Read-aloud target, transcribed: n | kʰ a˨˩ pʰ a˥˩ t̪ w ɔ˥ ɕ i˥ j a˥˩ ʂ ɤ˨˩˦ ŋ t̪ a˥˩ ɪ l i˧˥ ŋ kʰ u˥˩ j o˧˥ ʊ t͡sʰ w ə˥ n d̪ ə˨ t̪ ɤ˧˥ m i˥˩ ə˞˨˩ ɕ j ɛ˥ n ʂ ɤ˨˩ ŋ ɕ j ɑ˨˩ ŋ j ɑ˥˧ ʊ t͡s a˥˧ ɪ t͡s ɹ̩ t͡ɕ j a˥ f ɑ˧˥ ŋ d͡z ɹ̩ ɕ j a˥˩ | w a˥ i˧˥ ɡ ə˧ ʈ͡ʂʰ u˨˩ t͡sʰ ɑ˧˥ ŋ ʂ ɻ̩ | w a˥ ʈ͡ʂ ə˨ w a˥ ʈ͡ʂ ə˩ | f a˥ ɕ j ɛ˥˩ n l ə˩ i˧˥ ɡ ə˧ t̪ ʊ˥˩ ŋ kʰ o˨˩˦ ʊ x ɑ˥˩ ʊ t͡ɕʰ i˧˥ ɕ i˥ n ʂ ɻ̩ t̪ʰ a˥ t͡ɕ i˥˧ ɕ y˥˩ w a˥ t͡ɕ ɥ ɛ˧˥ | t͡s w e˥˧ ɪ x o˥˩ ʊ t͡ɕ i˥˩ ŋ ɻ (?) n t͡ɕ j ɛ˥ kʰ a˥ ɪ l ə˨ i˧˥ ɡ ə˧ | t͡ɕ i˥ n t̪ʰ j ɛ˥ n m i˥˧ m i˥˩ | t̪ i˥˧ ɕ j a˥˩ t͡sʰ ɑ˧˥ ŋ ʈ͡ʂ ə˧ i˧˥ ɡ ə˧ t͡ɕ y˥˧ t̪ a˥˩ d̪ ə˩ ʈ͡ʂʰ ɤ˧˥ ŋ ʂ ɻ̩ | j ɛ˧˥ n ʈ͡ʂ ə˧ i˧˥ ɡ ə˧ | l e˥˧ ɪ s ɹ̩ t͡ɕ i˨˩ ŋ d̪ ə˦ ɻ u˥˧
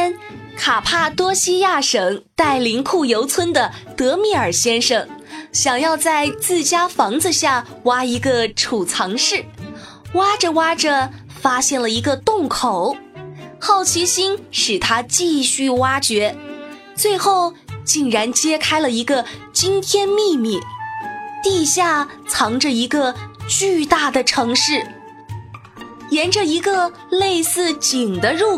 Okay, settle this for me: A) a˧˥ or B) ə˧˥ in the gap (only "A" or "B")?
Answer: A